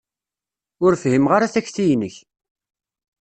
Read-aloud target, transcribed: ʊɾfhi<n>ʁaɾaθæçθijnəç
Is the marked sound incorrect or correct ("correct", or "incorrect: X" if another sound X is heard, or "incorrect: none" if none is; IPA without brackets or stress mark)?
incorrect: m